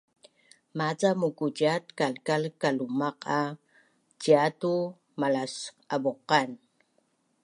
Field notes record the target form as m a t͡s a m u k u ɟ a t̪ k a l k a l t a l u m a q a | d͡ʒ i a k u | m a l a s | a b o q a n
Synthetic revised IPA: m a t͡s a m u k u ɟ a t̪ k a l k a l k a l u m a q a | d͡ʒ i a t u | m a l a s | a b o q a n

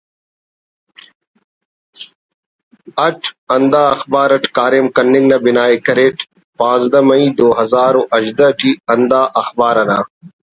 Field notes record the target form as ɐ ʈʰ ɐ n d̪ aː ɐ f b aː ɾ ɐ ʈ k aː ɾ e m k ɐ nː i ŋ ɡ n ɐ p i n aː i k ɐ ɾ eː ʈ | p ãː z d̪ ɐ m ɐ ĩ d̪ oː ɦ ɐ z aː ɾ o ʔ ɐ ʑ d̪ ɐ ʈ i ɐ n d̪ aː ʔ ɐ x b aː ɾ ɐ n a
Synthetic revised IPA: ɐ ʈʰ ɐ n d̪ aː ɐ x b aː ɾ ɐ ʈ k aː ɾ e m k ɐ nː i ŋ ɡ n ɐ b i n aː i k ɐ ɾ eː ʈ | p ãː z d̪ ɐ m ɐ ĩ d̪ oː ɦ ɐ z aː ɾ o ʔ ɐ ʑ d̪ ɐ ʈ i ɐ n d̪ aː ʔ ɐ x b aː ɾ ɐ n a

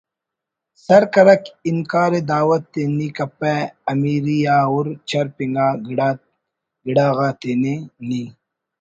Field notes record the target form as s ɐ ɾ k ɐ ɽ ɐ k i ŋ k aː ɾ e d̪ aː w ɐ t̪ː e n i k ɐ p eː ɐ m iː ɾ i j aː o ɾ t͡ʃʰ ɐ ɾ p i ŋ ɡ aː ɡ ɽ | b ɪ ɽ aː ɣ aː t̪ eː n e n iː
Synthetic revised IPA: s ɐ ɾ k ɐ ɾ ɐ k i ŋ k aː ɾ e d̪ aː w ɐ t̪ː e n i k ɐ p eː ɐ m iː ɾ i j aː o ɾ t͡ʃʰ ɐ ɾ p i ŋ ɡ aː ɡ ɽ | ɡ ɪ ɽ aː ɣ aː t̪ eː n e n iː

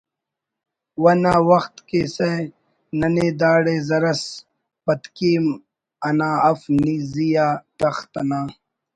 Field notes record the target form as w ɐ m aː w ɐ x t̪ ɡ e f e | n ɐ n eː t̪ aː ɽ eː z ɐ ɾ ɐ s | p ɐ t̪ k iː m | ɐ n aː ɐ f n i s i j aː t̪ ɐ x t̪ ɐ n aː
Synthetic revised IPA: w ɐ n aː w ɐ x t̪ k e s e | n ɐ n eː d̪ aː ɽ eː z ɐ ɾ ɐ s | p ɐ t̪ k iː m | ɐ n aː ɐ f n i z i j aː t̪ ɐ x t̪ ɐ n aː

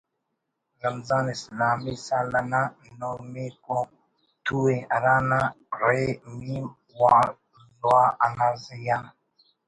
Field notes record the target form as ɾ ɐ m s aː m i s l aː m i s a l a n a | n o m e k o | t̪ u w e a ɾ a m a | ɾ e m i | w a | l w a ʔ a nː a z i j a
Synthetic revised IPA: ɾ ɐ m z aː n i s l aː m i s a l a n a | n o m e k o | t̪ u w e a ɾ a n a | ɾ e m i | w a | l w a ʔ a n a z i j a

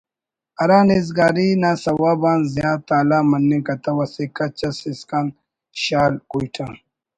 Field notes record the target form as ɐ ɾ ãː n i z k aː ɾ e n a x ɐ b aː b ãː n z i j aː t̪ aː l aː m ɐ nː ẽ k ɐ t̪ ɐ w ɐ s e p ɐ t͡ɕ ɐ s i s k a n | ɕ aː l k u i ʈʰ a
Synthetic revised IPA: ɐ ɾ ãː n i z ɡ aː ɾ i n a s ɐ w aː b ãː n z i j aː t̪ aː l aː m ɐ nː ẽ k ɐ t̪ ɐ w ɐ s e k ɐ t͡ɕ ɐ s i s k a n | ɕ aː l k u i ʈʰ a

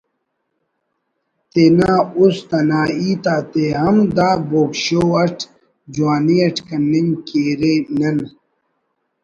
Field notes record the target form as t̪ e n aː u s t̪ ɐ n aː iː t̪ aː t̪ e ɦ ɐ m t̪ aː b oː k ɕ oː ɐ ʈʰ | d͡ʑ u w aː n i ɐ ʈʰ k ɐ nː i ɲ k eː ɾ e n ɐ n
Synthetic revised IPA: t̪ e n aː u s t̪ ɐ n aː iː t̪ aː t̪ e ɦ ɐ m d̪ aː b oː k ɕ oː ɐ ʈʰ | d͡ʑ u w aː n i ɐ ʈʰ k ɐ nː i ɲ k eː ɾ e n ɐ n

